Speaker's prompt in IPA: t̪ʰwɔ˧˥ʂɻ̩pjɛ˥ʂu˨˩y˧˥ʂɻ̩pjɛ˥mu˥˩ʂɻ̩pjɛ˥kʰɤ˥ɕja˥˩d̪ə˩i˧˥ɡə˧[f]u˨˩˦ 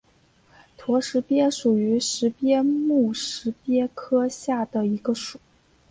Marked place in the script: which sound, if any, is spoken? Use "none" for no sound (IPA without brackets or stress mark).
ʂ